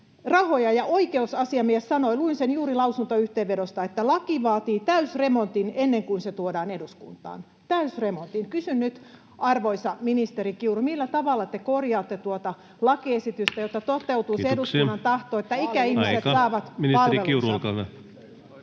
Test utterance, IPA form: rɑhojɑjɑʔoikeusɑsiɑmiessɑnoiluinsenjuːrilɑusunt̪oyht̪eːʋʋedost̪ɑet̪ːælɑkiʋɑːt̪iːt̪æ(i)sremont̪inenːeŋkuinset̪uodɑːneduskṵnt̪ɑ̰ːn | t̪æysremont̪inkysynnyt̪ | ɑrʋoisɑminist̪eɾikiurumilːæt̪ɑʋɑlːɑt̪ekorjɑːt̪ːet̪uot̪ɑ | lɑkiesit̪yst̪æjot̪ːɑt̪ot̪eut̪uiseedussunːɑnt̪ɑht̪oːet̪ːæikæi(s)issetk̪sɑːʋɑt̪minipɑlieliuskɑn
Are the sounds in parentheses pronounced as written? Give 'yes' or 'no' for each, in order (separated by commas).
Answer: no, no